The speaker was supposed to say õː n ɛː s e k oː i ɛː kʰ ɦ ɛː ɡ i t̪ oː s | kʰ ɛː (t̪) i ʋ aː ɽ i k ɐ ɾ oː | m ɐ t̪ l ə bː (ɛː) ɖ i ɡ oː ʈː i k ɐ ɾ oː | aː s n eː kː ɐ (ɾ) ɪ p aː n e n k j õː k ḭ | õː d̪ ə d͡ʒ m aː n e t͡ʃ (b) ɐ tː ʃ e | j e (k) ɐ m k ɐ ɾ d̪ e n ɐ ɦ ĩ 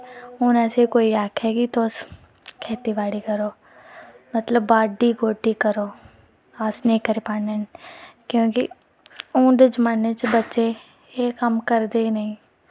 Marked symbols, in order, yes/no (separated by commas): yes, no, yes, yes, yes